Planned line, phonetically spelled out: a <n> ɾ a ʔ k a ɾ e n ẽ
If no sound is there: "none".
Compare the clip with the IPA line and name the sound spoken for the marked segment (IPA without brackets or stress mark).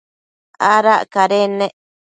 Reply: none